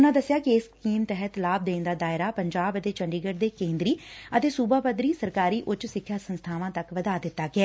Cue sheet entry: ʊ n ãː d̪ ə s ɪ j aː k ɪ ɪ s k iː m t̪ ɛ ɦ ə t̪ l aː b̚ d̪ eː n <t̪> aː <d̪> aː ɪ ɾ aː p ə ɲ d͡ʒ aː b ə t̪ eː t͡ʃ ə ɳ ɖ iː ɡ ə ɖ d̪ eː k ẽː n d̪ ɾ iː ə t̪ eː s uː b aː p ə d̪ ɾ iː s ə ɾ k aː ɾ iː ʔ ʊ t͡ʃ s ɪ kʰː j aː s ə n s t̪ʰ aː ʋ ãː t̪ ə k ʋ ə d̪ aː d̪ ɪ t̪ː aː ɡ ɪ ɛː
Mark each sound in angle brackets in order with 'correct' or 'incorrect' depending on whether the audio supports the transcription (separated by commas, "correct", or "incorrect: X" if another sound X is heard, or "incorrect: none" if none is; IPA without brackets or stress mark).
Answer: incorrect: d̪, correct